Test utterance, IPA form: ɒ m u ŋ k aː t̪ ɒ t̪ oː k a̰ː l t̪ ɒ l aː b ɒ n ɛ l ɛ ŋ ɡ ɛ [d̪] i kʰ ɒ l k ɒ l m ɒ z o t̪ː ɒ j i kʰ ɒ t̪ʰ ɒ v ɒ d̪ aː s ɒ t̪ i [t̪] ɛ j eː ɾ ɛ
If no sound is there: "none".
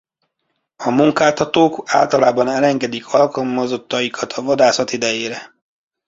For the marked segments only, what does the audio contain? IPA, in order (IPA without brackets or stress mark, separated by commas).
d̪, d̪